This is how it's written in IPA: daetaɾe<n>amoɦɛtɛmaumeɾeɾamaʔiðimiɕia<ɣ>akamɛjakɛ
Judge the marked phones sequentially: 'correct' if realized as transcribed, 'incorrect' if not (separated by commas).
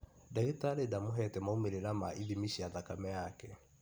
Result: incorrect, incorrect